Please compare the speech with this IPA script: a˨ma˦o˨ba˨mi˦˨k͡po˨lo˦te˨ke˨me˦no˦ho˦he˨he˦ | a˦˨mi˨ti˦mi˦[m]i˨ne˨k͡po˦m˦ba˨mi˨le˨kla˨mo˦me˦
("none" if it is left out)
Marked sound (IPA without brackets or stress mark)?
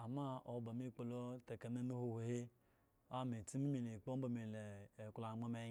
m